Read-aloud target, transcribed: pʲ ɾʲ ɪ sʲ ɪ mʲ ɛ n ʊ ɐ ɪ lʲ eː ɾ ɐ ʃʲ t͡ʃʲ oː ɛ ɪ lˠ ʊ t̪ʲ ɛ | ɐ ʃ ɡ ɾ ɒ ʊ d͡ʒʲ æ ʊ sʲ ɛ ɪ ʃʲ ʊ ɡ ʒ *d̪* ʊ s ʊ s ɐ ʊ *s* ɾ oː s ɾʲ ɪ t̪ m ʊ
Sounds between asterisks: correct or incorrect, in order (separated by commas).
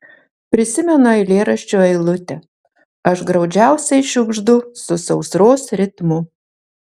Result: correct, correct